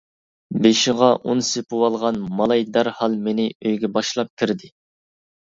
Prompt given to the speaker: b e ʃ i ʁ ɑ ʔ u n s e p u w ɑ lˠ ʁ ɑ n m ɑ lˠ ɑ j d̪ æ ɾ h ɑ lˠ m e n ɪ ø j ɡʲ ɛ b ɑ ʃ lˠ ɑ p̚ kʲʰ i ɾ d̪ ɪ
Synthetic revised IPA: b e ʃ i ʁ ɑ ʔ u n s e p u w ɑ lˠ ʁ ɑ n m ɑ lˠ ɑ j d̪ æ ɾ h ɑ lˠ m e n ɪ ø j ɡʲ ɛ b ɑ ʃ lˠ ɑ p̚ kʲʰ i ɾ d̪ ɪ

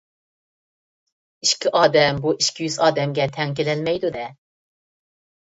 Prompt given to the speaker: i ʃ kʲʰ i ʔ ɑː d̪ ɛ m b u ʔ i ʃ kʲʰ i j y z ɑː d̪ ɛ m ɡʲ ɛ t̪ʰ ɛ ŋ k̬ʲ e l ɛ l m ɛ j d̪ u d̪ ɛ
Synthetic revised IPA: i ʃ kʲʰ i ʔ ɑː d̪ ɛ m b u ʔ i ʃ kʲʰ i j y z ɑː d̪ ɛ m ɡʲ ɛ t̪ʰ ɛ ŋ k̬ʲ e l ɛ l m ɛ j d̪ u d̪ ɛ

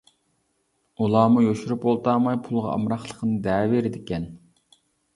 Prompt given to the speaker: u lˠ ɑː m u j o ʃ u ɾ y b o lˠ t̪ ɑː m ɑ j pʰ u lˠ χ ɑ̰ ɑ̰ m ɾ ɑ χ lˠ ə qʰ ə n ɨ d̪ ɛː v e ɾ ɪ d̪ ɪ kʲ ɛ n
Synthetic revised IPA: u lˠ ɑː m u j o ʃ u ɾ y p o lˠ t̪ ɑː m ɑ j pʰ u lˠ ʁ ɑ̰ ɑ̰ m ɾ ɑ χ lˠ ə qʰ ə n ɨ d̪ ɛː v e ɾ ɪ d̪ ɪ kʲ ɛ n

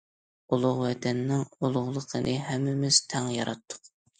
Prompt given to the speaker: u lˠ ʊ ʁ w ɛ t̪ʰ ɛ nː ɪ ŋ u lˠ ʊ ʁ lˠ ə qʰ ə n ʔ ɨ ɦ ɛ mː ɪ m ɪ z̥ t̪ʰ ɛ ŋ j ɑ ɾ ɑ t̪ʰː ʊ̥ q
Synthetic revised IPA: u lˠ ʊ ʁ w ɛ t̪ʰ ɛ nː ɪ ŋ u lˠ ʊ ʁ lˠ ə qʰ ə n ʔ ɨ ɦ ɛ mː ɪ m ɪ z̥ t̪ʰ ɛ ŋ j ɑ ɾ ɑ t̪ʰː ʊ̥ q

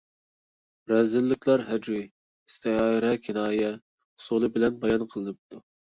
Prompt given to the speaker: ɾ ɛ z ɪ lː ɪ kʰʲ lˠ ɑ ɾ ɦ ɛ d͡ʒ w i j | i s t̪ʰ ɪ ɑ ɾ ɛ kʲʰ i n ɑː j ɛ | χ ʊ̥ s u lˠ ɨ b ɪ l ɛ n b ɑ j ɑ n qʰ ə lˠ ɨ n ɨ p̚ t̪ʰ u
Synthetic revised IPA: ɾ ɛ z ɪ lː ɪ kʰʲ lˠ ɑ ɾ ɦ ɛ d͡ʒ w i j | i s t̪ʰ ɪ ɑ ɾ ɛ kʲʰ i n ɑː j ɛ | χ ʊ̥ s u lˠ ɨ b ɪ l ɛ n b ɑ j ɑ n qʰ ə lˠ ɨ n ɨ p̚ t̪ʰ u

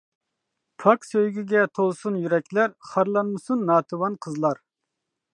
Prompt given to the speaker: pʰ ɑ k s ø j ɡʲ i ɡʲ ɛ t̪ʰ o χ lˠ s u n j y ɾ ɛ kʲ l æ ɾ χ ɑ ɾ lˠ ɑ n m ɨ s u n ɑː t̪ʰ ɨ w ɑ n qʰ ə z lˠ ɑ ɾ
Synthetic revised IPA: pʰ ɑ k s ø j ɡʲ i ɡʲ ɛ t̪ʰ o lˠ s u n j y ɾ ɛ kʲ l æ ɾ χ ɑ ɾ lˠ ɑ n m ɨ s u nː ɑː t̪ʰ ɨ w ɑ n qʰ ə z lˠ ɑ ɾ

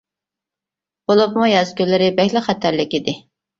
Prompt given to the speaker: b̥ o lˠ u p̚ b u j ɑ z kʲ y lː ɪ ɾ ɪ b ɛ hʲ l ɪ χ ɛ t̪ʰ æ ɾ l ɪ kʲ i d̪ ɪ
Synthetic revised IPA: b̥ o lˠ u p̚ m u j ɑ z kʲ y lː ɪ ɾ ɪ b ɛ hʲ l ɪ χ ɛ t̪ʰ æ ɾ l ɪ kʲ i d̪ ɪ

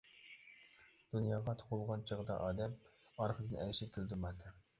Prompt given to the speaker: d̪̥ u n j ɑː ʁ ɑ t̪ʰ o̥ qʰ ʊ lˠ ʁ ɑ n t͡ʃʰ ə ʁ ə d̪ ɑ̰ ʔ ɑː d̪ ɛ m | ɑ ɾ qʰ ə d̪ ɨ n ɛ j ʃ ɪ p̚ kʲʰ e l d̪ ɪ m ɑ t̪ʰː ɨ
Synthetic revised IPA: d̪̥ u n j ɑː ʁ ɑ t̪ʰ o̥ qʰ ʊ lˠ ʁ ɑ n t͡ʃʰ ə ʁ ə d̪ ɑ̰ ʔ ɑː d̪ ɛ m | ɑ ɾ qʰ ə d̪ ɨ n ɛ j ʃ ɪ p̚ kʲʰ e l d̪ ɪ m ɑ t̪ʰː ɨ

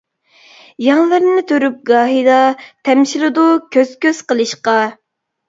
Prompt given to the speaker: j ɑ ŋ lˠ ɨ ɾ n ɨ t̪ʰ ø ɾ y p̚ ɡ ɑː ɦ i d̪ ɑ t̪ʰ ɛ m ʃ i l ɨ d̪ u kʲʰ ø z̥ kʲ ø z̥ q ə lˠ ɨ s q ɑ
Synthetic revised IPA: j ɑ ŋ lˠ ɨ ɾ n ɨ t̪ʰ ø ɾ y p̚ ɡ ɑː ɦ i d̪ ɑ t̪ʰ ɛ m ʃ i l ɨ d̪ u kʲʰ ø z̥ kʲ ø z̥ q ə lˠ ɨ ʃ q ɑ

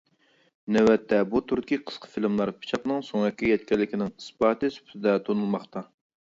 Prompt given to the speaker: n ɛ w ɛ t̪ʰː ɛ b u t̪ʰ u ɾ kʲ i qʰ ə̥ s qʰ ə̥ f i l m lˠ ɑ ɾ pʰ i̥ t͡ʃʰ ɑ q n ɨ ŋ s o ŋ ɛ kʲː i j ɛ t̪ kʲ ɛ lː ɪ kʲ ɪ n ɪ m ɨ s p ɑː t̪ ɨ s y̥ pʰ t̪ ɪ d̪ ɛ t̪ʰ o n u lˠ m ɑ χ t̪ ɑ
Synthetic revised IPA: n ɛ w ɛ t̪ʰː ɛ b u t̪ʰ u ɾ kʲ i qʰ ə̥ s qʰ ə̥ f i l m lˠ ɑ ɾ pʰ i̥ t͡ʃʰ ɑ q n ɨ ŋ s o ŋ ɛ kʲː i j ɛ t̪ kʲ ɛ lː ɪ kʲ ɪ n ɪ ŋ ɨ s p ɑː t̪ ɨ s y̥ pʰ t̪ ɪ d̪ ɛ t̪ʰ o n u lˠ m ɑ χ t̪ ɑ

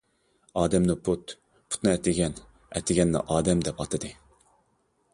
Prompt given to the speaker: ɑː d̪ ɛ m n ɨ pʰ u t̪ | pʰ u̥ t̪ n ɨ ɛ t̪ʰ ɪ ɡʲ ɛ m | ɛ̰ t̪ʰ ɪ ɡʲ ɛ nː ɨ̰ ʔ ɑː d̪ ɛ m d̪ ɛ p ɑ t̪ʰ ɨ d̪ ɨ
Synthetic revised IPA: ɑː d̪ ɛ m n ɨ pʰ u t̪ | pʰ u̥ t̪ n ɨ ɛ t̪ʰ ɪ ɡʲ ɛ n | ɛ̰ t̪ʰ ɪ ɡʲ ɛ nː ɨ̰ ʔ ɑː d̪ ɛ m d̪ ɛ p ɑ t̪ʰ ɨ d̪ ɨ

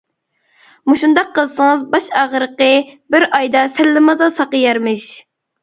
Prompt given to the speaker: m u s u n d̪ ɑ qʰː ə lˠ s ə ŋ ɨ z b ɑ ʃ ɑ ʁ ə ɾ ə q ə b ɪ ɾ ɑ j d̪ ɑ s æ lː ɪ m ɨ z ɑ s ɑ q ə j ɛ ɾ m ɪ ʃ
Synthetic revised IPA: m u ʃ u n d̪ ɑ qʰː ə lˠ s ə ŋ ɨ z b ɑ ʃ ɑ ʁ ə ɾ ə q ə b ɪ ɾ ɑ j d̪ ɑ s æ lː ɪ m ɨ z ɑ s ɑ q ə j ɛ ɾ m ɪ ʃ

